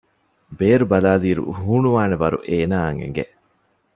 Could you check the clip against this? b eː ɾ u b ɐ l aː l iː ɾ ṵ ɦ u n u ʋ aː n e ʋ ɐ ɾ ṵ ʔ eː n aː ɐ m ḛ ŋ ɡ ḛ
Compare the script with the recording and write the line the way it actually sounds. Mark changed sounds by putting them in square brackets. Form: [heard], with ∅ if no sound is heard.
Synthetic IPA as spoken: b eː ɾ u b ɐ l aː l iː ɾ ṵ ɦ [uː] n u ʋ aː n e ʋ ɐ ɾ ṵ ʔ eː n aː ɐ [ŋ] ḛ ŋ ɡ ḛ